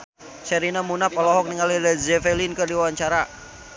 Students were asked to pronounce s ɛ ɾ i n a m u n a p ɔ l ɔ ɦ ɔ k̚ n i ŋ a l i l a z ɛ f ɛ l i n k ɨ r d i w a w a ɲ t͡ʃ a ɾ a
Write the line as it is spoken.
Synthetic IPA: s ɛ ɾ i n a m u n a p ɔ l ɔ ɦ ɔ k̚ n i ŋ a l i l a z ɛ f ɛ l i n k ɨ r d i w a w a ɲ t͡ʃ a ɾ a